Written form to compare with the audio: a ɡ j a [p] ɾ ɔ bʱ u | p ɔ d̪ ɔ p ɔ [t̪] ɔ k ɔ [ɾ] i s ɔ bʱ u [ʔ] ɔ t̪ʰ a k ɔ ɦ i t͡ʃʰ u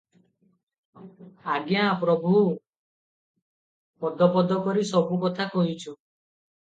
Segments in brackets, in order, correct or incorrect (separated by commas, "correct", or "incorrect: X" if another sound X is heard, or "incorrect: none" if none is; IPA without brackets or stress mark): correct, incorrect: d̪, correct, incorrect: k